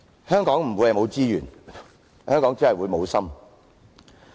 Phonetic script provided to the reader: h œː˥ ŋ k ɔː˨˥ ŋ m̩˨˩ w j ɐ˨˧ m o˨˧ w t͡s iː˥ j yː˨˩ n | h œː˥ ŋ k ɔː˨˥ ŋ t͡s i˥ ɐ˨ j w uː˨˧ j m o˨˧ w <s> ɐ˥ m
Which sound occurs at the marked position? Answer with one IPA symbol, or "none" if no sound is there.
s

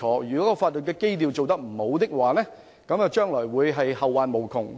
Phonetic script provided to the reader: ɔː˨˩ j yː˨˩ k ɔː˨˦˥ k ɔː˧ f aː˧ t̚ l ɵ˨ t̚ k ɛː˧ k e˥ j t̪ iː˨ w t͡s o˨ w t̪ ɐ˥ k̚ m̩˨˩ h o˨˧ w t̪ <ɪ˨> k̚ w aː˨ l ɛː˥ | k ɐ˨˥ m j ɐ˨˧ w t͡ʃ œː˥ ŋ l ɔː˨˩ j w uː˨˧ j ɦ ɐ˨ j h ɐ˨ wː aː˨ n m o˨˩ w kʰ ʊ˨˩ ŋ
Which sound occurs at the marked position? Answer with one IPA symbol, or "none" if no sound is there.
ɪ˥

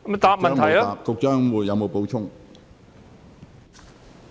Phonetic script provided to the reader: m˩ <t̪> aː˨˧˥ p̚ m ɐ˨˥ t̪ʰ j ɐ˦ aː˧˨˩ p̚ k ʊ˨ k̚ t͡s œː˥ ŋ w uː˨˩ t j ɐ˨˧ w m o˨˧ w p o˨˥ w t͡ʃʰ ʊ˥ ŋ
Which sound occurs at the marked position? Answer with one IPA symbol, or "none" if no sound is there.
t̪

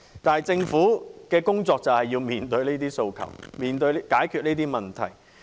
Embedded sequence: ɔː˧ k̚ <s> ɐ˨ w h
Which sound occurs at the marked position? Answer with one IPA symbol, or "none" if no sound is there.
t͡s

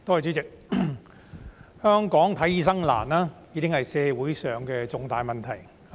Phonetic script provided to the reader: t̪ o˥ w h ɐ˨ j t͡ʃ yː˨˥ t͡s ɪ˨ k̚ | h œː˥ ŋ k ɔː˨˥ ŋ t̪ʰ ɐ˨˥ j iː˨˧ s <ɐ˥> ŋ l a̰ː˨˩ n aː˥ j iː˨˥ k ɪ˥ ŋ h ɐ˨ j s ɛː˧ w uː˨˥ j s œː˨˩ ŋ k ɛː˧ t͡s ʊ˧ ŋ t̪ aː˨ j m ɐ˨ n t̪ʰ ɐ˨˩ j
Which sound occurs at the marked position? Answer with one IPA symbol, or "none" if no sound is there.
ɐ˥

